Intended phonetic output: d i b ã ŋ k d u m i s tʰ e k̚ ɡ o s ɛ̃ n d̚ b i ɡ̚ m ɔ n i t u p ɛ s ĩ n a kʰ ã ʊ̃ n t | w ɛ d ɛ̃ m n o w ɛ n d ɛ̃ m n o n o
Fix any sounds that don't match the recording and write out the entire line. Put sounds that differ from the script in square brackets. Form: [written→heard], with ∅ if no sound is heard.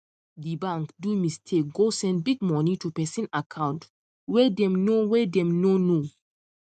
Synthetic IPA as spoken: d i b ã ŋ k d u m i s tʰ e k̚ ɡ o s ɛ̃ n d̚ b i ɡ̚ m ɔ n i t u p ɛ s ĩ n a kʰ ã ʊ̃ n t | w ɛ d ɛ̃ m n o w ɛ [n→∅] d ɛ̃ m n o n o